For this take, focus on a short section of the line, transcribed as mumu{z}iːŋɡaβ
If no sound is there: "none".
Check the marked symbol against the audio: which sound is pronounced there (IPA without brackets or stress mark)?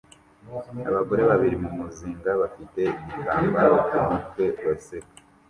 z